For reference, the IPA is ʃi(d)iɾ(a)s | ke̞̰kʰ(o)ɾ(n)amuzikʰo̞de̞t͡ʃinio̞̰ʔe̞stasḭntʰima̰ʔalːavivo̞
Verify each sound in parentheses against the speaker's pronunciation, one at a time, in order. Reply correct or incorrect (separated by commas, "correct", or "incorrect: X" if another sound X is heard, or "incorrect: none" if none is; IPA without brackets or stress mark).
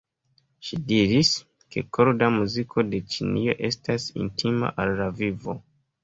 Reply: correct, incorrect: i, correct, incorrect: d